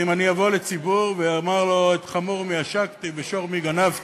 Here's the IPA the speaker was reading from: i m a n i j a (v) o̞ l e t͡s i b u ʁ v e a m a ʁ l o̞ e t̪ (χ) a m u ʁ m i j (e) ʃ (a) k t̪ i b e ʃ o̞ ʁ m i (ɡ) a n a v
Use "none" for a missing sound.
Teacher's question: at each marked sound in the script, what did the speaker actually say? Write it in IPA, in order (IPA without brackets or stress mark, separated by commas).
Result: v, χ, a, a, ɡ